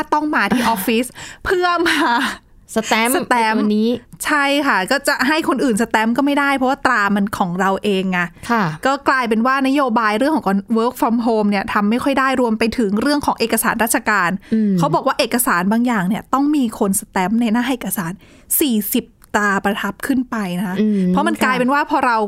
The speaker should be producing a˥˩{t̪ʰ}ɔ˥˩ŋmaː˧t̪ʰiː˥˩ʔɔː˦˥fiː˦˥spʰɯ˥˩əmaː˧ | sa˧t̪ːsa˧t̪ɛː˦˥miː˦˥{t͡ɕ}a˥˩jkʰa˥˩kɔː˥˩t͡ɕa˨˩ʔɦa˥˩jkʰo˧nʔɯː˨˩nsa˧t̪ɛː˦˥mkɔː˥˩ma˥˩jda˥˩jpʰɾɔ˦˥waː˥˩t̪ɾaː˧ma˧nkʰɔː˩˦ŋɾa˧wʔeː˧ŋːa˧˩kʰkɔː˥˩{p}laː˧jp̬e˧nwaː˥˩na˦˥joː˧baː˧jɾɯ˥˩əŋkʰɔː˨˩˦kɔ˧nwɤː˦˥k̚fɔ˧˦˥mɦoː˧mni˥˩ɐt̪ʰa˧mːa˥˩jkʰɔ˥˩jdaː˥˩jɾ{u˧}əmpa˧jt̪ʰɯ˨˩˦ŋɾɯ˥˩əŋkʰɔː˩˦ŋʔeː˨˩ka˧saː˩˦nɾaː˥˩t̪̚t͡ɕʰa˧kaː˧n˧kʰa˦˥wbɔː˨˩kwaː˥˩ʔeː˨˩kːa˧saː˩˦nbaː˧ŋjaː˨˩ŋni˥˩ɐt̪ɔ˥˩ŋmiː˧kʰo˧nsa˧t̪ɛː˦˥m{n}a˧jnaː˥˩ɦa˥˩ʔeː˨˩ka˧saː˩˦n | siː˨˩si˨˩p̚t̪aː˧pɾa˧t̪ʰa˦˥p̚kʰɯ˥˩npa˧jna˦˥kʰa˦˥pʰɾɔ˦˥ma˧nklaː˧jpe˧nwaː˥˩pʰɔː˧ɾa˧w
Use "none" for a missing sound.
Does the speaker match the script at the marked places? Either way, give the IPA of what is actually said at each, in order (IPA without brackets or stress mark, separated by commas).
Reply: t̪, t͡ɕʰ, k, u˧, n